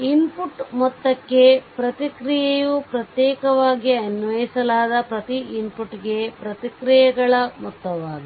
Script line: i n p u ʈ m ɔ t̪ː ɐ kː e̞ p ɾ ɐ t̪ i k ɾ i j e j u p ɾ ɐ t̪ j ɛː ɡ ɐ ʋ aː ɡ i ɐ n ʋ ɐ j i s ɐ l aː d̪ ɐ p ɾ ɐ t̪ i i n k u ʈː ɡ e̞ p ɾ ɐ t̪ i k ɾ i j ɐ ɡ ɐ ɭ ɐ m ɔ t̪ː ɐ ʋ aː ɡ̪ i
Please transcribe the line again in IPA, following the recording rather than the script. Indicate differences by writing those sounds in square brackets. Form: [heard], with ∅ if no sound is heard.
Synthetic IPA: i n p u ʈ m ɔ t̪ː ɐ kː e̞ p ɾ ɐ t̪ i k ɾ i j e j u p ɾ ɐ t̪ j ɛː [k] ɐ ʋ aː ɡ i ɐ n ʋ ɐ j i s ɐ l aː d̪ ɐ p ɾ ɐ t̪ i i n [p] u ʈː ɡ e̞ p ɾ ɐ t̪ i k ɾ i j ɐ ɡ ɐ ɭ ɐ m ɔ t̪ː ɐ ʋ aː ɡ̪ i